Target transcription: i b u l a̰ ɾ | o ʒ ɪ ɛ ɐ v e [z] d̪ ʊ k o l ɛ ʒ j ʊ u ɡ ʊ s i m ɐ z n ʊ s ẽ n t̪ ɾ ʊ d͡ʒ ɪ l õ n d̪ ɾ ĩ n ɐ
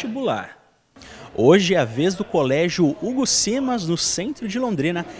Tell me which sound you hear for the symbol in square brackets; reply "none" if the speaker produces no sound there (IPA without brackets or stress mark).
z